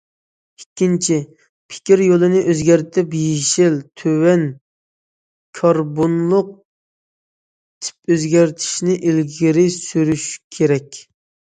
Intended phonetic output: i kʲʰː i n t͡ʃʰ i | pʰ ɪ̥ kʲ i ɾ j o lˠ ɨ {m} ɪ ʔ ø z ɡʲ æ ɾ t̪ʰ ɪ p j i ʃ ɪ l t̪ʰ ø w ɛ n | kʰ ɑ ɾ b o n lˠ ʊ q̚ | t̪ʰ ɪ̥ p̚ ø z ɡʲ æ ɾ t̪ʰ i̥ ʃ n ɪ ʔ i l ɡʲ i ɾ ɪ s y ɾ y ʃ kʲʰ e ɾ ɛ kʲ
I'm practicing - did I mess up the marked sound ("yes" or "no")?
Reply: yes